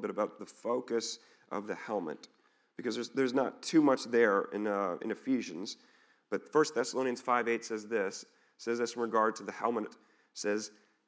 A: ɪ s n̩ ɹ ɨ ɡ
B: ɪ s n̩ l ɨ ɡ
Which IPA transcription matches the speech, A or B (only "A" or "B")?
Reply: A